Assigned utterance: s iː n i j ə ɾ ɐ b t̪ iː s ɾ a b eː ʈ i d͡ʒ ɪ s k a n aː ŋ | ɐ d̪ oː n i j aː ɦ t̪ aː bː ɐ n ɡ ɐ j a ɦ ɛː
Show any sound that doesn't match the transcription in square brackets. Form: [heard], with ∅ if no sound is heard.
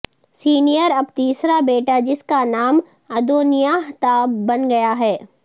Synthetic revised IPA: s iː n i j ə ɾ ɐ b t̪ iː s ɾ a b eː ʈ [a] d͡ʒ ɪ s k a n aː [m] | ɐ d̪ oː n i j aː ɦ t̪ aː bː ɐ n ɡ ɐ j a ɦ ɛː